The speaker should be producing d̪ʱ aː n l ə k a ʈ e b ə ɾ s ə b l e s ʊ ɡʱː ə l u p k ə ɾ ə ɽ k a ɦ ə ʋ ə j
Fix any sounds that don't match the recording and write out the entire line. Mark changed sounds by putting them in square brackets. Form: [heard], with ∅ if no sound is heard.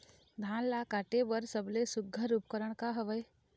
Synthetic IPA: d̪ʱ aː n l [a] k a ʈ e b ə ɾ s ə b l e s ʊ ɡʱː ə [ɾ] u p k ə ɾ ə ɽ k a ɦ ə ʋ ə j